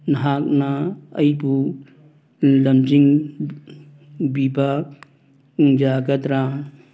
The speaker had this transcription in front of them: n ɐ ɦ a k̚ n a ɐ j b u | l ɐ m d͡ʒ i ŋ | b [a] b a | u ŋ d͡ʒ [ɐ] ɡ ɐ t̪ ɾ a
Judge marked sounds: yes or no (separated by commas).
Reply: no, no